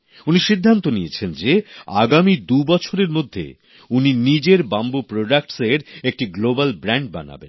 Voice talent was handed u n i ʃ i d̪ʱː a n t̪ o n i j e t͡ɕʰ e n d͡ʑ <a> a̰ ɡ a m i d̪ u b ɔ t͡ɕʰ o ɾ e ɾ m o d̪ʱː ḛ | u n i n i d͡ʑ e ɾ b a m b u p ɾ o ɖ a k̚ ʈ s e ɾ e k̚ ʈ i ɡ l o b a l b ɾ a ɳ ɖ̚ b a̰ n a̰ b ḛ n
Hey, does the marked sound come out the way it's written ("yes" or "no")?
no